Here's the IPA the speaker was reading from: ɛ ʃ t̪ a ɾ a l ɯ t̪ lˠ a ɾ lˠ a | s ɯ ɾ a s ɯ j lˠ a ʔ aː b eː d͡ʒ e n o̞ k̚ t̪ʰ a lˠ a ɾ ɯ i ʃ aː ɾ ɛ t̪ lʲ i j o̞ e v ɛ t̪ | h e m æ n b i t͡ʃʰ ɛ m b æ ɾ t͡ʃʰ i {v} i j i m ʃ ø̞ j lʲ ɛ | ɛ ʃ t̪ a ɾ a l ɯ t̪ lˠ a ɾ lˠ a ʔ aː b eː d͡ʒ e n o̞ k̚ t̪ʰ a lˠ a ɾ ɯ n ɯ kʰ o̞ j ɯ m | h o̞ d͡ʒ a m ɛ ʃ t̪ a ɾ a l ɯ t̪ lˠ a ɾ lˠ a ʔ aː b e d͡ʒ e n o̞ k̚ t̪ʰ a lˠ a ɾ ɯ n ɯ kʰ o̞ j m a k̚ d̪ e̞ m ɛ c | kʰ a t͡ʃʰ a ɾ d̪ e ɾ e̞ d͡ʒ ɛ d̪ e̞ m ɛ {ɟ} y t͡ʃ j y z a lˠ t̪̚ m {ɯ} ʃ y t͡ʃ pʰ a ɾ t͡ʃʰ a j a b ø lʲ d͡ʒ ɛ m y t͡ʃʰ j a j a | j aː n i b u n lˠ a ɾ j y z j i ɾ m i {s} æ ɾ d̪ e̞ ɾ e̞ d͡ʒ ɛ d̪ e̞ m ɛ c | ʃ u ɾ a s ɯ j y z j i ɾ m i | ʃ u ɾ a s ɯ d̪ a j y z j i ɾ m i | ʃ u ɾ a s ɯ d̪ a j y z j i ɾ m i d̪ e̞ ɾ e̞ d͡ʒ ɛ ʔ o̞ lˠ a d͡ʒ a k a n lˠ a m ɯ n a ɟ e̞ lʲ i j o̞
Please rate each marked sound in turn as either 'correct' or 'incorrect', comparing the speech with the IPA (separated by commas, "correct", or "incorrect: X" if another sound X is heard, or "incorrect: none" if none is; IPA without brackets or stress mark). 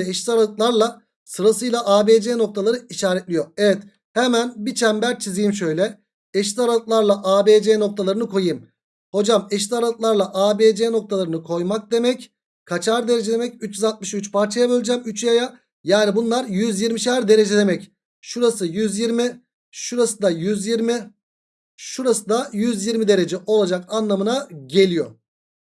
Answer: incorrect: z, incorrect: c, correct, incorrect: ʃ